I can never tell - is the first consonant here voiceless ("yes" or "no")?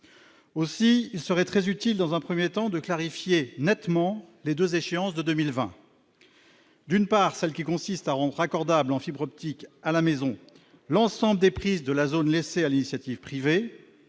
yes